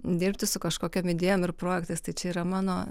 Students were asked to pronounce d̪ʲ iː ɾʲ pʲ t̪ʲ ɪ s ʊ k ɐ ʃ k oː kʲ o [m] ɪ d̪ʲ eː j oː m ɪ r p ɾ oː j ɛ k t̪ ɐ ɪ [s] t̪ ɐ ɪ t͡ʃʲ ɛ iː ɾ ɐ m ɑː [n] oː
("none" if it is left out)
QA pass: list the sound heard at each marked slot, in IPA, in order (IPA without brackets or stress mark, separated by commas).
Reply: m, s, n